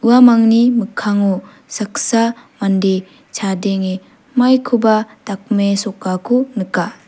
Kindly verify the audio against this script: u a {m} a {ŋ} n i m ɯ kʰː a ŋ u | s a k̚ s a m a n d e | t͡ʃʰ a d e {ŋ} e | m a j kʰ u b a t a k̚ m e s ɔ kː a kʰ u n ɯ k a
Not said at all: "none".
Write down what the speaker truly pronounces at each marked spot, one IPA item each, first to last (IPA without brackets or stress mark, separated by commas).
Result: m, ŋ, ŋ